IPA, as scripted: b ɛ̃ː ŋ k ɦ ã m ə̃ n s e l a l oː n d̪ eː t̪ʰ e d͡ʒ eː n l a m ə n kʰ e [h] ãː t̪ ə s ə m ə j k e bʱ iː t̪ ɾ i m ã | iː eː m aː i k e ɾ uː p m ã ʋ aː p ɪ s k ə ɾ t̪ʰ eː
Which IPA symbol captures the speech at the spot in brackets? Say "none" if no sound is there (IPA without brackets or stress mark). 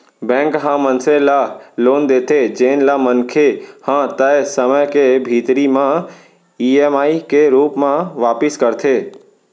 h